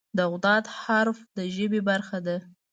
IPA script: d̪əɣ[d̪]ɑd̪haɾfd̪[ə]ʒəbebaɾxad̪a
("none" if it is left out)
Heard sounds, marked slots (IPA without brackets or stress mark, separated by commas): d̪, ə